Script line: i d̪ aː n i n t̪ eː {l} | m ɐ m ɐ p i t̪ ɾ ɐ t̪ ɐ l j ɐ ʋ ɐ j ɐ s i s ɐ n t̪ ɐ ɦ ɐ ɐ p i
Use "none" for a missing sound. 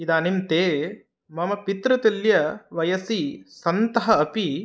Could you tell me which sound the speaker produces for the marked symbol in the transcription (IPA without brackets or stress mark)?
none